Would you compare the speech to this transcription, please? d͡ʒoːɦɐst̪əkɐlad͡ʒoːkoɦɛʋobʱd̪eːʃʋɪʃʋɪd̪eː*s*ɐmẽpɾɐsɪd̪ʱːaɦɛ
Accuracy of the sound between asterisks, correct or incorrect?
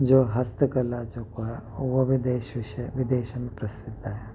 incorrect